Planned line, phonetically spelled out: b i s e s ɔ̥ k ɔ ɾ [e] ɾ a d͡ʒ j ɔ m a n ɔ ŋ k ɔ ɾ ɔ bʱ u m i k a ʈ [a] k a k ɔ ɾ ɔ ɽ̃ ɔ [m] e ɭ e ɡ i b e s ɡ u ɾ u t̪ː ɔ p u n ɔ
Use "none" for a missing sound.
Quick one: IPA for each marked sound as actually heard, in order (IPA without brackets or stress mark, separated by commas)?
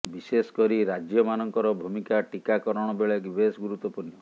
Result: i, i, b